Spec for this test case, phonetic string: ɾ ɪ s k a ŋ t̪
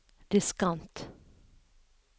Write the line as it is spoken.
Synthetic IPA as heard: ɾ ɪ s k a n t̪